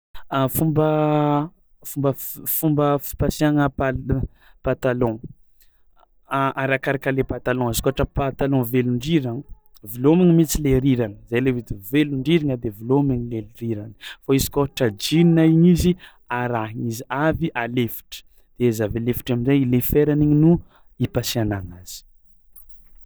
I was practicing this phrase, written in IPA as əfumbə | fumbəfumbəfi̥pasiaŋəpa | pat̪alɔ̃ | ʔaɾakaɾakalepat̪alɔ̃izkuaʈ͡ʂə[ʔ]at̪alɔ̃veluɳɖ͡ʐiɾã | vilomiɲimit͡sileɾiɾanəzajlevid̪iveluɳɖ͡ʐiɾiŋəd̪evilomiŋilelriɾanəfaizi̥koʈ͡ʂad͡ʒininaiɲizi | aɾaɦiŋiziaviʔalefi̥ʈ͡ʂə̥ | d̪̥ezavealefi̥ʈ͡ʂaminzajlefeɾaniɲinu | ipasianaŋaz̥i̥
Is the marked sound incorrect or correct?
incorrect